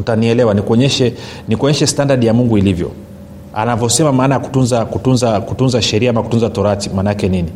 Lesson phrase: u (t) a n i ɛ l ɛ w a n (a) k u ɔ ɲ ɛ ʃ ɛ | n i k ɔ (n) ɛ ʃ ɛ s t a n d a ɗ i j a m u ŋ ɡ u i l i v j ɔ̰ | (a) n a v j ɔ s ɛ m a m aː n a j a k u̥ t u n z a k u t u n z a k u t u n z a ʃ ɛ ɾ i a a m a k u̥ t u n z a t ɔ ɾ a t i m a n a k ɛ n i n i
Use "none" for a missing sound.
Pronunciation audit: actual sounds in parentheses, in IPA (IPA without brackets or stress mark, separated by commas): t, i, ɲ, a